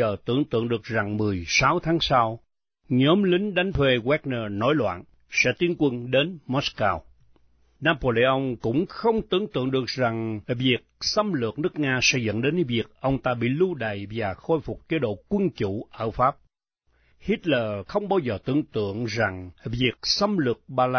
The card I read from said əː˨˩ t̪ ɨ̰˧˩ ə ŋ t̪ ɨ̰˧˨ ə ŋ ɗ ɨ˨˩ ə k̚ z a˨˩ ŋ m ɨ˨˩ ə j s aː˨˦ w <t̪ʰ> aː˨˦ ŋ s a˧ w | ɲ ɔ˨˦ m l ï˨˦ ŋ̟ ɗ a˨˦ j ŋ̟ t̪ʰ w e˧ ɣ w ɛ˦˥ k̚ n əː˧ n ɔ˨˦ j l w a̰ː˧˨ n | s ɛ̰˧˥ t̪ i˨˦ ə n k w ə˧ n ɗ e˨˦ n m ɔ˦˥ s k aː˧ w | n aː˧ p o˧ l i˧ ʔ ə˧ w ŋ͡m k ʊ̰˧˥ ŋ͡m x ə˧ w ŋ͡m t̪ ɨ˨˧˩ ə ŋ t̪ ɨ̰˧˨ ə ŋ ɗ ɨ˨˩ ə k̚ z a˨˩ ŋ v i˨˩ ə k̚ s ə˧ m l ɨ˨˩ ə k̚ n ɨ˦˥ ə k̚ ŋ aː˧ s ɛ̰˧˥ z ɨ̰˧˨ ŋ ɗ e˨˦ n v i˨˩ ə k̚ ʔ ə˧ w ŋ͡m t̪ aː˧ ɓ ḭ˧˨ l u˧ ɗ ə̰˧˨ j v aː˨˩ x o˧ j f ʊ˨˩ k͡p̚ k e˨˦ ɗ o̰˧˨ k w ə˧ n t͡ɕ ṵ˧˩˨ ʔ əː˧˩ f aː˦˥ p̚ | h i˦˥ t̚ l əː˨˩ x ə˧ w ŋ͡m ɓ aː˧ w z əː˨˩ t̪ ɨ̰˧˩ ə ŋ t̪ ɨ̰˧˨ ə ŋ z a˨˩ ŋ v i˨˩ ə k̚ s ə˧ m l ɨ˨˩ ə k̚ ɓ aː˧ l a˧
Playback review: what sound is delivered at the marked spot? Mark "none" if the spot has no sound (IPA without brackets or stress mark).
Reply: t̪ʰ